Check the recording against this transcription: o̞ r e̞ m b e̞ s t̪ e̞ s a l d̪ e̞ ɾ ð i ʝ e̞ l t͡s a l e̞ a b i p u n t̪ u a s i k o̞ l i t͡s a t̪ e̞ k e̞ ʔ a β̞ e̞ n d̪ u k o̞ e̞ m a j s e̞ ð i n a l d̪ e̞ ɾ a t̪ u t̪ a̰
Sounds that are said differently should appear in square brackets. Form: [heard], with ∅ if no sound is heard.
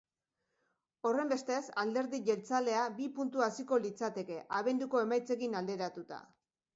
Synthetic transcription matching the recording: o̞ r e̞ m b e̞ s t̪ e̞ s a l d̪ e̞ ɾ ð i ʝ e̞ l t͡s a l e̞ a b i p u n t̪ u a s i k o̞ l i t͡s a t̪ e̞ k e̞ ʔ a β̞ e̞ n d̪ u k o̞ e̞ m a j [t͡s] e̞ [ɣ] i n a l d̪ e̞ ɾ a t̪ u t̪ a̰